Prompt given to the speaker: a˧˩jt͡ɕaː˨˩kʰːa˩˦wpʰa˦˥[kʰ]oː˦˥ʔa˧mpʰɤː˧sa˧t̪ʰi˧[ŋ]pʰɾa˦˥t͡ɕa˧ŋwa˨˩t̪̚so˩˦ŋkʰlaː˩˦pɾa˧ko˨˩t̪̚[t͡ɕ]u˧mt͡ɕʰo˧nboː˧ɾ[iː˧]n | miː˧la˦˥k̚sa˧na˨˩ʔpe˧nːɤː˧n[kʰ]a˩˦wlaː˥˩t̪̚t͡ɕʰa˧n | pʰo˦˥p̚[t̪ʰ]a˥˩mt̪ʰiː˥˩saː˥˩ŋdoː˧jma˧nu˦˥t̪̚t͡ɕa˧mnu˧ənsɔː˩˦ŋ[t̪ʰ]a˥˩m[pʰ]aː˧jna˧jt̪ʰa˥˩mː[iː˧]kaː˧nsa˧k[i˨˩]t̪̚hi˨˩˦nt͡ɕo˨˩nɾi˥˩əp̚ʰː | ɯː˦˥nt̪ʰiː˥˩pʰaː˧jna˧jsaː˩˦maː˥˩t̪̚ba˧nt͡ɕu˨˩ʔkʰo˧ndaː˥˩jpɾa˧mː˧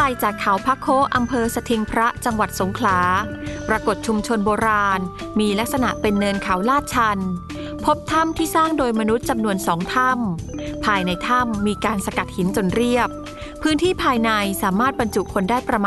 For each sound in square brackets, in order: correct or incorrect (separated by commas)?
correct, correct, incorrect, incorrect, correct, correct, correct, correct, correct, incorrect